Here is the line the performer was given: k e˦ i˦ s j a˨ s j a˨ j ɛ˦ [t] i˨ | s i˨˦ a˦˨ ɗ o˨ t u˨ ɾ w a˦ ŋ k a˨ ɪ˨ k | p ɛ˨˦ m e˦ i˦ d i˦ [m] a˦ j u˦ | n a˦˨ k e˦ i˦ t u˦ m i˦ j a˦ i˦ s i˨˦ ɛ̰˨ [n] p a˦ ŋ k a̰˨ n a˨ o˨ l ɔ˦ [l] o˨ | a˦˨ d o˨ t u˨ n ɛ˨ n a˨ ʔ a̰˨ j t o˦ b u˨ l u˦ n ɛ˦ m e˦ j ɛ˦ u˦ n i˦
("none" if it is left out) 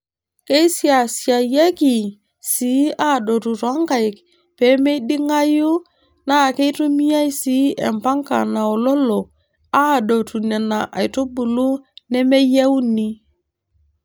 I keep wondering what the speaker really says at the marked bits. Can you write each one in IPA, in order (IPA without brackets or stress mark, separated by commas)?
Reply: k, ŋ, m, l